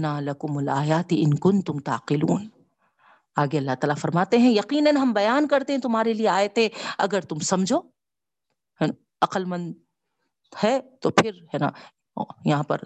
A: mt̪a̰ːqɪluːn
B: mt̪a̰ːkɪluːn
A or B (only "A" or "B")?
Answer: A